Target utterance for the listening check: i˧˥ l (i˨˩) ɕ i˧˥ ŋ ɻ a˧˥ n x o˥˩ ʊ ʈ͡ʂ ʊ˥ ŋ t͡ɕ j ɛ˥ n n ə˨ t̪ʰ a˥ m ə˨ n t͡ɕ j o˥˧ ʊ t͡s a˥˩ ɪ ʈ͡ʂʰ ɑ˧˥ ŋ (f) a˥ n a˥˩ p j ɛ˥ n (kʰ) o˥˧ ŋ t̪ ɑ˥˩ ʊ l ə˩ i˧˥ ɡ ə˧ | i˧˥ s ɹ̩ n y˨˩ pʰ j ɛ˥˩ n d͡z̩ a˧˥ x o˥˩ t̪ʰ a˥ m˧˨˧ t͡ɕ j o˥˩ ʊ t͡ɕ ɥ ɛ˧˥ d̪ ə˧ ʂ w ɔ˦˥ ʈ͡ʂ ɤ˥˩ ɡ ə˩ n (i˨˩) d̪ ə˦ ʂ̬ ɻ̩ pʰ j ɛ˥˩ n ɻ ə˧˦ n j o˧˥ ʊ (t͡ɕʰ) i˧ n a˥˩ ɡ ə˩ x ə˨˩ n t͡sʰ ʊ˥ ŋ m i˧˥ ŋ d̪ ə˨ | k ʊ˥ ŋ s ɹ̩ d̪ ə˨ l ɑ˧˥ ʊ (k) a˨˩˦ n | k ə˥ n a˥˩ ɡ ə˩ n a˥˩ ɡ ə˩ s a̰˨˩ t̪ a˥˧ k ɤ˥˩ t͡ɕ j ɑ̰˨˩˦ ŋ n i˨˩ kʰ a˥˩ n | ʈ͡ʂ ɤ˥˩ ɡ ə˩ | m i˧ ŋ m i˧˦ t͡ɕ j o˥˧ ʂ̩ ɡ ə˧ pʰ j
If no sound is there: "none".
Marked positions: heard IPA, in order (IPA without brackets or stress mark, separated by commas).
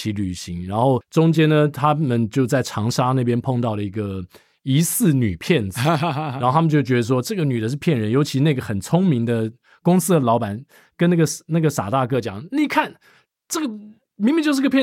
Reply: y˨˩, ʂ, pʰ, y˨˩, t͡ɕʰ, p